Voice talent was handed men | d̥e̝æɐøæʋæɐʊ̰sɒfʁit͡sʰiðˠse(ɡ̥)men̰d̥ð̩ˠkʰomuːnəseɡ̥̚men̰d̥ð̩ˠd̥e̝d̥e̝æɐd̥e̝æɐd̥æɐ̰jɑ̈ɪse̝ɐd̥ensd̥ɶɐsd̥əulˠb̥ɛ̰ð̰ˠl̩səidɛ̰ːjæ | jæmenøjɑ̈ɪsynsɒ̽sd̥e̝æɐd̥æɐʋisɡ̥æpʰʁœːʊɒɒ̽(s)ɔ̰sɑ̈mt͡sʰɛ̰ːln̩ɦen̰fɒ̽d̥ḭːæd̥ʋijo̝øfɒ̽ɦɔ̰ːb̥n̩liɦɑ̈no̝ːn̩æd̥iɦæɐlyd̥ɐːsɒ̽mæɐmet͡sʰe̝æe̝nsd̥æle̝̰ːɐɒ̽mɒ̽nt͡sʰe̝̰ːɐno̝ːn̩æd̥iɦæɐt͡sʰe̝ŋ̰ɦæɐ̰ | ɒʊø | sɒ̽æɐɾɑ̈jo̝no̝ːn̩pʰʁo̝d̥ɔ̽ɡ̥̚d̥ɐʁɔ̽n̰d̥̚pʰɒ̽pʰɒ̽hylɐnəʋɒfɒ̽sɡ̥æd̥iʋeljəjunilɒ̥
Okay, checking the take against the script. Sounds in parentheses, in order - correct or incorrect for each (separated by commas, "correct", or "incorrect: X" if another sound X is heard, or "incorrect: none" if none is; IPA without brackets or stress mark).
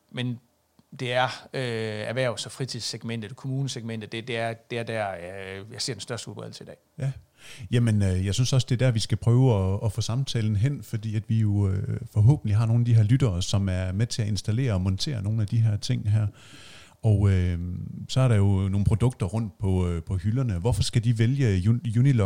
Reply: correct, incorrect: f